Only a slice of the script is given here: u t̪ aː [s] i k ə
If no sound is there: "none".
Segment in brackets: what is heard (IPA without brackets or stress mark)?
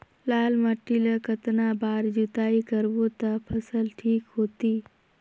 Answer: none